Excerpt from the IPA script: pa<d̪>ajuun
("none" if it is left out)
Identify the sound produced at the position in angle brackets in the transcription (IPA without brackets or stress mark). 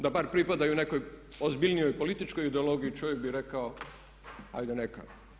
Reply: d̪